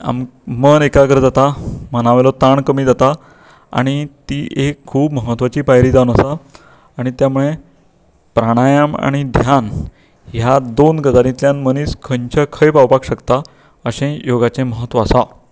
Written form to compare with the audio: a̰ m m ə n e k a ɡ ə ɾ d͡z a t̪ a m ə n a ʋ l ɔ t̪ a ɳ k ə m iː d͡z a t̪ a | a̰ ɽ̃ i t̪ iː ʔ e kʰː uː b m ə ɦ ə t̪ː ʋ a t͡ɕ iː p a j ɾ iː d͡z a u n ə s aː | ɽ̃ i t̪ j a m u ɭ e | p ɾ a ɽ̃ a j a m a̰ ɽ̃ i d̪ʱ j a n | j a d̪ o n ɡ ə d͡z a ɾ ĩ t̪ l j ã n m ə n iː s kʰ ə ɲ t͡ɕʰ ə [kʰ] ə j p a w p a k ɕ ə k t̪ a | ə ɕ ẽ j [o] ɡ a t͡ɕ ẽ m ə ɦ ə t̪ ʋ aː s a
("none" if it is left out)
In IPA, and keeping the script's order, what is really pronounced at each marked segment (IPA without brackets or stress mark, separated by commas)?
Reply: kʰ, o